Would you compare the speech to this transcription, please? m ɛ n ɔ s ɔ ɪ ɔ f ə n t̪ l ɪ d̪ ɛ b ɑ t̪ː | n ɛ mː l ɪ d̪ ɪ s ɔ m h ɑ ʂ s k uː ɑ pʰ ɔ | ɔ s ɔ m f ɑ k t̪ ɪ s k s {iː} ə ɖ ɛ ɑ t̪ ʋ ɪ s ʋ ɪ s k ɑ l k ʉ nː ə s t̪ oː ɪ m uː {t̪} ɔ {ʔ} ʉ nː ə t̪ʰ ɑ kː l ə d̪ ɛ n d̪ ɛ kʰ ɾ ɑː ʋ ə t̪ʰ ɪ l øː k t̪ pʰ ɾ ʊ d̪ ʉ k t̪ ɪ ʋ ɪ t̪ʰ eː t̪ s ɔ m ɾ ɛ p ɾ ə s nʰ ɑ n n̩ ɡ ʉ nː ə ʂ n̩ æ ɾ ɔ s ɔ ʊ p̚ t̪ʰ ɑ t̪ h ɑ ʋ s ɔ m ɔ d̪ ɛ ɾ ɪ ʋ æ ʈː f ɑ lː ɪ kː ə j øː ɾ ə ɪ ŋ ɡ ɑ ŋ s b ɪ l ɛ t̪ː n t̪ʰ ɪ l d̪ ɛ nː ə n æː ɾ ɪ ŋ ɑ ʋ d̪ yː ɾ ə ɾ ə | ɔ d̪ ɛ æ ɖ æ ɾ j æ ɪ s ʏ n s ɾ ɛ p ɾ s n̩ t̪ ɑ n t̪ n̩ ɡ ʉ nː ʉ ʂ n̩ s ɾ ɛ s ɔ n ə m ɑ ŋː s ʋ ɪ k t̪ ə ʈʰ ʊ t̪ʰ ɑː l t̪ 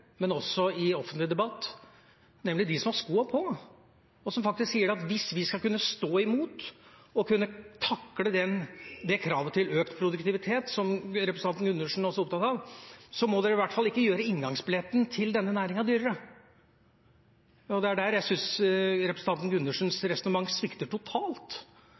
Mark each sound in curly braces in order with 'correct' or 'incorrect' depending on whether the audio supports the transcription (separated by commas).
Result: correct, correct, incorrect